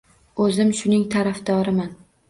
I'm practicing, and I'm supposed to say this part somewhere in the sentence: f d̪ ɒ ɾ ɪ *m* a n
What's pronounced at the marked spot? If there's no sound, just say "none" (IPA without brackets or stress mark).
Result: m